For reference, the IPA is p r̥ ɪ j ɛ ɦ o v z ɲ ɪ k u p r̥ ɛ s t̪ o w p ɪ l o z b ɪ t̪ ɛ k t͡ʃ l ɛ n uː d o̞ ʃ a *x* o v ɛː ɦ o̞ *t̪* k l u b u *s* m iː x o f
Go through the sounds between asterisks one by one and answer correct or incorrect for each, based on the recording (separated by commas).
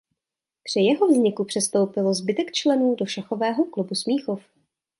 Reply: correct, incorrect, correct